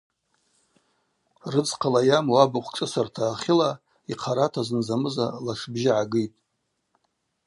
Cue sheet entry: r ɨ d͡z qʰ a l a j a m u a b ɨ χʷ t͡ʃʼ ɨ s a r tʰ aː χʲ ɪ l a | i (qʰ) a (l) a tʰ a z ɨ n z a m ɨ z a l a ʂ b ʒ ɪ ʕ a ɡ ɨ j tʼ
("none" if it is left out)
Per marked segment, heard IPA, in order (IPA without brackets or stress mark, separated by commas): qʰ, ɾ